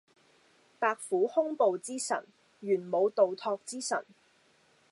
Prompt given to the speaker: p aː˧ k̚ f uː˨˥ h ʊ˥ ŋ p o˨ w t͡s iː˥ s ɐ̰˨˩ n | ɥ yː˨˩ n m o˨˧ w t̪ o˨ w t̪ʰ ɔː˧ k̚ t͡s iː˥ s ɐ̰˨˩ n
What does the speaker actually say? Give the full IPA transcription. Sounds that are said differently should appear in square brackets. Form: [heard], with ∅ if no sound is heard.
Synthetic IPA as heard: p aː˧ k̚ f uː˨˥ h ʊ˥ ŋ p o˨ w t͡s iː˥ s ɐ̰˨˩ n | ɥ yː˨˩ n m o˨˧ w t̪ o˨ w t̪ʰ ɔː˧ k̚ t͡s iː˥ s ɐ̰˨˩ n